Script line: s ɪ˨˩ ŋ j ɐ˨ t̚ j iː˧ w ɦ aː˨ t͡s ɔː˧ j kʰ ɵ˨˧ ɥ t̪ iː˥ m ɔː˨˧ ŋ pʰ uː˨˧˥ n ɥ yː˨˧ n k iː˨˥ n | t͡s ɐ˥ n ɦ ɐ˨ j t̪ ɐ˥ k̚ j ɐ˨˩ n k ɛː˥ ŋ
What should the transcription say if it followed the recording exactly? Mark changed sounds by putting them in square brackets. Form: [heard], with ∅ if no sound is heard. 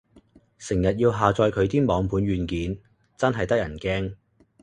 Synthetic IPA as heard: s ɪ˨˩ ŋ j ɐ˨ t̚ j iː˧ w ɦ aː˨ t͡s ɔː˧ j kʰ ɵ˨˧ ɥ t̪ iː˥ m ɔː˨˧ ŋ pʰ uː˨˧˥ n ɥ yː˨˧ n k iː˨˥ n | t͡s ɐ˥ n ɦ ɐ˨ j t̪ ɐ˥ k̚ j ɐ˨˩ n k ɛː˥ ŋ